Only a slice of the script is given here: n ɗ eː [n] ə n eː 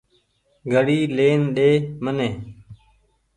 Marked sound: incorrect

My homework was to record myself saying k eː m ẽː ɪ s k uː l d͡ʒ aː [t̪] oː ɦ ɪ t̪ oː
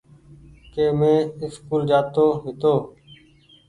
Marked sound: correct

